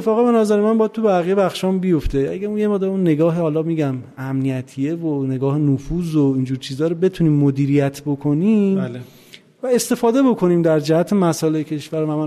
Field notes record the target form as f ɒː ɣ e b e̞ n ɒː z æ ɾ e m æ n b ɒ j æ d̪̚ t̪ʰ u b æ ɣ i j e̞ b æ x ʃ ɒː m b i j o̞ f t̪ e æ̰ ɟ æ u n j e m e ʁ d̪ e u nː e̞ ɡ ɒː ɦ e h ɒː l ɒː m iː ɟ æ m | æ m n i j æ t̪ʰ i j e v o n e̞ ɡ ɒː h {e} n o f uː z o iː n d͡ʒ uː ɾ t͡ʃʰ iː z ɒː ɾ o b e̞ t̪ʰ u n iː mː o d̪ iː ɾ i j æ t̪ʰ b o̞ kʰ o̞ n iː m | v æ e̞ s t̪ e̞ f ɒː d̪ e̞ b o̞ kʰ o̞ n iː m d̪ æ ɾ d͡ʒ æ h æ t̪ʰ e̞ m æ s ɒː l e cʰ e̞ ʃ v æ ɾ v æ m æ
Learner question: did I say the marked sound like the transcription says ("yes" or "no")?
yes